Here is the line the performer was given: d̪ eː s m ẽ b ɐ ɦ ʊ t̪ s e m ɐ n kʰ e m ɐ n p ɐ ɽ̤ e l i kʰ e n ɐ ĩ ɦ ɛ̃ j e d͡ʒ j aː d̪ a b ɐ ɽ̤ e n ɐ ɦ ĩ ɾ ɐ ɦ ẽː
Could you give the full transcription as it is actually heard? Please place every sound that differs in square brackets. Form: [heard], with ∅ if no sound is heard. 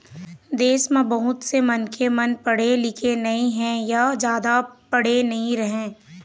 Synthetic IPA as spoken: d̪ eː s m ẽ b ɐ ɦ ʊ t̪ s e m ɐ n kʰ e m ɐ n p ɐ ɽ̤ e l [ɪ] kʰ e n ɐ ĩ ɦ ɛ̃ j [a] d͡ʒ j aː d̪ a [p] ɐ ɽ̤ e n ɐ ɦ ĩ ɾ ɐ ɦ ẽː